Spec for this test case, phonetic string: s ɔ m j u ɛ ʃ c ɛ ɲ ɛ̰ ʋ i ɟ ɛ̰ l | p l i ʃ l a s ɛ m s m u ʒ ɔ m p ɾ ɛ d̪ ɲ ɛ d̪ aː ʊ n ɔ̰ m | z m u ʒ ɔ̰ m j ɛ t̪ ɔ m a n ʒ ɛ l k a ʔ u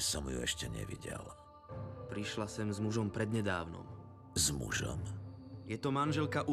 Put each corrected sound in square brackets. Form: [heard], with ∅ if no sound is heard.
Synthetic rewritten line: s ɔ m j u ɛ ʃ c ɛ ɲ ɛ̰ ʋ i ɟ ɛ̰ l | p [ɾ] i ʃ l a s ɛ m [z] m u ʒ ɔ m p ɾ ɛ d̪ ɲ ɛ d̪ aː ʊ n ɔ̰ m | z m u ʒ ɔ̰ m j ɛ t̪ ɔ m a n ʒ ɛ l k a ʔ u